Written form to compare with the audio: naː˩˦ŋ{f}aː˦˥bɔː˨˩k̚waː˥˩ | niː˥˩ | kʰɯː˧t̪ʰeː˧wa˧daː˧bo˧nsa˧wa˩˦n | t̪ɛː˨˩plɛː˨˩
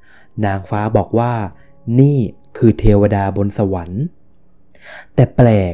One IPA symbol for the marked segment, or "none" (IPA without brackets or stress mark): f